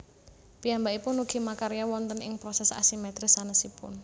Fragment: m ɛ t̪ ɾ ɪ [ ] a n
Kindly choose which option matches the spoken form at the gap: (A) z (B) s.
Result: B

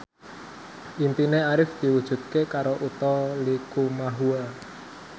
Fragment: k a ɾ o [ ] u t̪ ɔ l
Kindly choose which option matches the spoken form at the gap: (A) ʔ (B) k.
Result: A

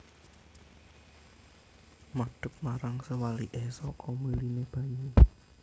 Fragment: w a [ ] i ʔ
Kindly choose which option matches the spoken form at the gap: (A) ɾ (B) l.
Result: B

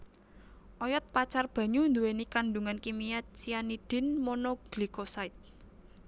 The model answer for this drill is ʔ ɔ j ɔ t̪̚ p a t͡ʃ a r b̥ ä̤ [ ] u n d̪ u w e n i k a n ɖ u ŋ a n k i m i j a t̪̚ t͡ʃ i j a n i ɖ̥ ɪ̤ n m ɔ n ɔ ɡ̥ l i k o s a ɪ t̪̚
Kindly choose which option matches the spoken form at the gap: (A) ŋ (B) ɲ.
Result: B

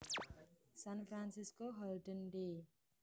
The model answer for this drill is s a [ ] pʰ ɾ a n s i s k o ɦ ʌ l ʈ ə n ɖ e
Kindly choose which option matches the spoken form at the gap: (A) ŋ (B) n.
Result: B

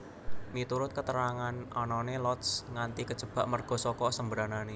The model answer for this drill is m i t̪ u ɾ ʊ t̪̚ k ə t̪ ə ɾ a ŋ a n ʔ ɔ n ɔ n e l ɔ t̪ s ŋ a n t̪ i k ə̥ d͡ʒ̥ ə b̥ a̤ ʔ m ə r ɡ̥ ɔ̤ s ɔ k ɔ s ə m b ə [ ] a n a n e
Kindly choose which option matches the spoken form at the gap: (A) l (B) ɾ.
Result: B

